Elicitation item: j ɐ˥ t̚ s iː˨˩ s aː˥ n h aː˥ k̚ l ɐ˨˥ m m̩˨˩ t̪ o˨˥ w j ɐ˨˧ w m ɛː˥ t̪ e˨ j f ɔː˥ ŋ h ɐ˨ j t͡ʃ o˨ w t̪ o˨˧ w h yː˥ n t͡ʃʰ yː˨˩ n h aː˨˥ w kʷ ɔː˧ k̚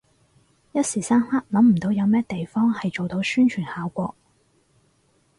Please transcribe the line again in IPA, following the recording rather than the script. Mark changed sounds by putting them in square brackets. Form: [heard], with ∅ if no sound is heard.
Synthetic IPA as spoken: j ɐ˥ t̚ s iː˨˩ s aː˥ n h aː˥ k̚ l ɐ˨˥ m m̩˨˩ t̪ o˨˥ w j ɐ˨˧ w m ɛː˥ t̪ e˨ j f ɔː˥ ŋ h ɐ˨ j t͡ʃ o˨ w t̪ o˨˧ w [s] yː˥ n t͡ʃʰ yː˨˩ n h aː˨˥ w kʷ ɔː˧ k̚